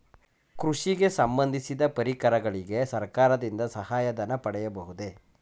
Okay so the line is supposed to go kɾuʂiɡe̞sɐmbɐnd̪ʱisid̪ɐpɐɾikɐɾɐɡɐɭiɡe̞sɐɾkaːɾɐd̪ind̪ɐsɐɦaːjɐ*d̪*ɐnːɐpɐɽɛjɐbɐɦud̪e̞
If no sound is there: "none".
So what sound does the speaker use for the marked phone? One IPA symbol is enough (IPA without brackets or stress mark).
d̪